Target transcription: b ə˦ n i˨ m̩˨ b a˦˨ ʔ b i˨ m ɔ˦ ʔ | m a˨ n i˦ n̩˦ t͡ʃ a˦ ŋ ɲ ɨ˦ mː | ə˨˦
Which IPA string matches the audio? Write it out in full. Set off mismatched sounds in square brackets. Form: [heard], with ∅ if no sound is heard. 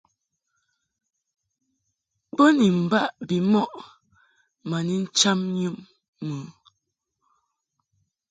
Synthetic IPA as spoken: b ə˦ n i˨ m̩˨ b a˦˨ ʔ b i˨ m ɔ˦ ʔ | m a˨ n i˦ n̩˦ t͡ʃ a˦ [m] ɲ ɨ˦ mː | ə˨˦